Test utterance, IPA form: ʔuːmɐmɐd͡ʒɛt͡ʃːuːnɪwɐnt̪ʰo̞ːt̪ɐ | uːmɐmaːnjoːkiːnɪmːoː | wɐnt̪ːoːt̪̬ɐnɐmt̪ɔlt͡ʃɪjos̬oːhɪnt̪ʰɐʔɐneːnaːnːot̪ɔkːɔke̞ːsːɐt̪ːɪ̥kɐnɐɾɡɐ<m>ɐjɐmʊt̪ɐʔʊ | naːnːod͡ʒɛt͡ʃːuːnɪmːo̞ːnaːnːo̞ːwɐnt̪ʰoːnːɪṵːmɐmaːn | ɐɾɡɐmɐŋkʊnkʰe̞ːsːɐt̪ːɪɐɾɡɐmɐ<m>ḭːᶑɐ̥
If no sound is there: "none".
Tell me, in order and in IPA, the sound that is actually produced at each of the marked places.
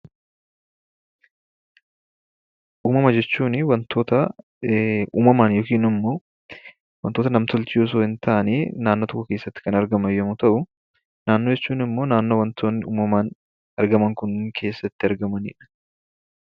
m, n

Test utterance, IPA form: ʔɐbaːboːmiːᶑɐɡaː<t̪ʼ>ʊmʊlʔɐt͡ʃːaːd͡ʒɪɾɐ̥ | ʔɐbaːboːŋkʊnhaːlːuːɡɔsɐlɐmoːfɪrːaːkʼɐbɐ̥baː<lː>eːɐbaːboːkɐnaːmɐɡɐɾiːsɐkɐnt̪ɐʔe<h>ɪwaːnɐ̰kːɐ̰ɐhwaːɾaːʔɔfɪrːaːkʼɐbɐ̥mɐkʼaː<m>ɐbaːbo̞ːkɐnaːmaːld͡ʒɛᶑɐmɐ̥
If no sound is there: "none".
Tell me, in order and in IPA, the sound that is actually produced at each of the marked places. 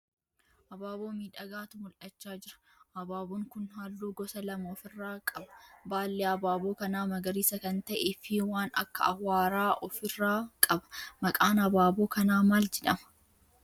t̪, lː, f, n

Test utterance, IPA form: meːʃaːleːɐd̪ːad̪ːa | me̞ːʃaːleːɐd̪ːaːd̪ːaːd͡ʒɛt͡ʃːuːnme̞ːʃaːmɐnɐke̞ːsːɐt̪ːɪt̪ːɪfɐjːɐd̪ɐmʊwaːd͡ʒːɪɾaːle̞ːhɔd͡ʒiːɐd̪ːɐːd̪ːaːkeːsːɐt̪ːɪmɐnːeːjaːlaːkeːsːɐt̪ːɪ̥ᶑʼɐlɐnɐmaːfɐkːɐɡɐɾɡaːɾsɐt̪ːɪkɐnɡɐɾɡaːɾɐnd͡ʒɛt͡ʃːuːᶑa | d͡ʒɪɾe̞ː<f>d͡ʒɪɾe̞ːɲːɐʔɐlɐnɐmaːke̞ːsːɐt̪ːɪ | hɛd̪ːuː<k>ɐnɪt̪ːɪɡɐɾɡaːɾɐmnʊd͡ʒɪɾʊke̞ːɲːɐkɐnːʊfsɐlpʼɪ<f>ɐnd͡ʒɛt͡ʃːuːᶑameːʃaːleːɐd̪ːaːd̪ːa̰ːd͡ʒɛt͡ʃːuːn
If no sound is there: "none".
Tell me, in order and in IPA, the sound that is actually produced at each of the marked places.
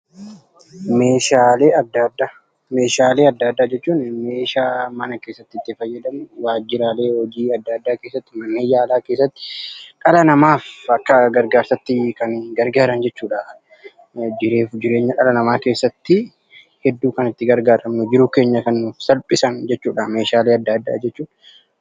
f, k, s

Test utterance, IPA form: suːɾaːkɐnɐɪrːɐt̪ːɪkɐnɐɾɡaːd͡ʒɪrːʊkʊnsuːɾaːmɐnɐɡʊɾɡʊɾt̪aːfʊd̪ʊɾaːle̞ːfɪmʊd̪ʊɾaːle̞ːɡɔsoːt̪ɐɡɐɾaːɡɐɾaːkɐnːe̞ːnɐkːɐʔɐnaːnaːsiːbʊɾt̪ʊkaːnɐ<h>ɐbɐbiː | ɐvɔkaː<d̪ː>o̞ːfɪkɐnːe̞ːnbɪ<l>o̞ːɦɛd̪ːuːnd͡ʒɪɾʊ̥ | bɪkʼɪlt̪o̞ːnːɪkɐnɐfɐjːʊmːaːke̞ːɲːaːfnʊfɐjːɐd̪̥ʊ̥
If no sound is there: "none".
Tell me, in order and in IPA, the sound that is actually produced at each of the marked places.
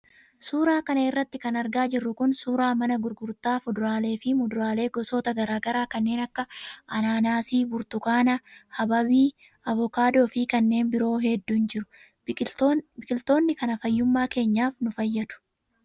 h, d̪, ɾ

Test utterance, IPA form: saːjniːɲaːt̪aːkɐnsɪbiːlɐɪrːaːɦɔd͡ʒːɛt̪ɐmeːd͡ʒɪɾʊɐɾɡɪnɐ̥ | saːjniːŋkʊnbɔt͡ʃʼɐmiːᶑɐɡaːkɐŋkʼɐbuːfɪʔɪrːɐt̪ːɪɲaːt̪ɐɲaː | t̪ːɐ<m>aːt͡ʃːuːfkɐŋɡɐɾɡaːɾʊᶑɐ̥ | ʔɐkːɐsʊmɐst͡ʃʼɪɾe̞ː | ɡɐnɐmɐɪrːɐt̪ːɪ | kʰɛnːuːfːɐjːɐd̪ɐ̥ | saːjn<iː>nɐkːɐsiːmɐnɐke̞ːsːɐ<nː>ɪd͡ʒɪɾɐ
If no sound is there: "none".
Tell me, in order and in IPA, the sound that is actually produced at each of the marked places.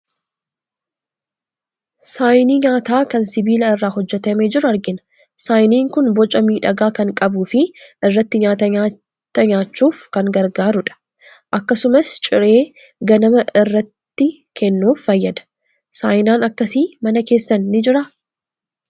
ɲ, aː, nː

